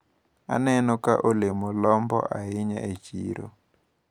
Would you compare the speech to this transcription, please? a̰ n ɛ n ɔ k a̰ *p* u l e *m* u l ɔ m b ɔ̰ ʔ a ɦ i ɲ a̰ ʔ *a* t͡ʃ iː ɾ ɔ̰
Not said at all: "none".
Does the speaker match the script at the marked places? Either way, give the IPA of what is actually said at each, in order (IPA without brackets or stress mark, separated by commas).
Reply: ʔ, m, e